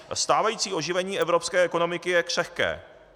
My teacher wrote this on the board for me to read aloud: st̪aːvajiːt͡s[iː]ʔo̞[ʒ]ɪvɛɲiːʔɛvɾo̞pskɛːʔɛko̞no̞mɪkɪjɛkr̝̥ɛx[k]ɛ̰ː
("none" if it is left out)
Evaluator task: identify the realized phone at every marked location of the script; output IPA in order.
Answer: iː, ʒ, k

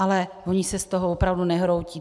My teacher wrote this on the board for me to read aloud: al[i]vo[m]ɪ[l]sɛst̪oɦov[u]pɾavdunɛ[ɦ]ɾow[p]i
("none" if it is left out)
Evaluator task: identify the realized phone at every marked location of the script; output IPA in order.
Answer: ɛ, ɲ, none, o, ɦ, c

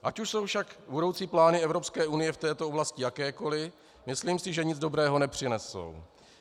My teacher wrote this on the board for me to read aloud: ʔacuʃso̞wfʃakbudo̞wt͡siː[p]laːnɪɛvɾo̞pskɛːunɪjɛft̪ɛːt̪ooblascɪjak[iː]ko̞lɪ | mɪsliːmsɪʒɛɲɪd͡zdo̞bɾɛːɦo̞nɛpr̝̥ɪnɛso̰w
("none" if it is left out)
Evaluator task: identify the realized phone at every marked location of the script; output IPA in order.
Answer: p, ɛː

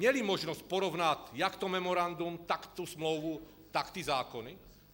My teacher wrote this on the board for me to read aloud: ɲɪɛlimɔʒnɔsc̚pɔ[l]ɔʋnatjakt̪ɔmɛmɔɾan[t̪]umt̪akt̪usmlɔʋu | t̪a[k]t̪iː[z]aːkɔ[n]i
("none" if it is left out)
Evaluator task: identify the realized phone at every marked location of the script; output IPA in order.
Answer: ɾ, d̪, k, z, n

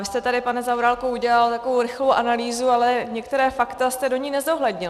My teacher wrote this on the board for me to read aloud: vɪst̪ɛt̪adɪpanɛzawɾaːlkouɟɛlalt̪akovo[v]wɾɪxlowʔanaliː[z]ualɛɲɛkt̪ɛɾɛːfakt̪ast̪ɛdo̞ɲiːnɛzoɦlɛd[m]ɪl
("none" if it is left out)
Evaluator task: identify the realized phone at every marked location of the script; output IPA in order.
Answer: none, z, ɲ

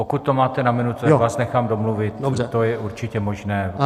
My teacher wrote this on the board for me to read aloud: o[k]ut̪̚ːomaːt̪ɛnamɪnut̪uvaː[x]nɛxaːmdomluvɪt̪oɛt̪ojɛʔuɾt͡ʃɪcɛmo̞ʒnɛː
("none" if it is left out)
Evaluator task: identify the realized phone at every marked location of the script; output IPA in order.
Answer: k, s

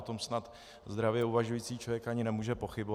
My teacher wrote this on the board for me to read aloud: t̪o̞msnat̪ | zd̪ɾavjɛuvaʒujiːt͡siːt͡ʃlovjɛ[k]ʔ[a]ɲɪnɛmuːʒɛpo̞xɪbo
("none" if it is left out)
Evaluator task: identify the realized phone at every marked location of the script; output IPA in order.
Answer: k, a

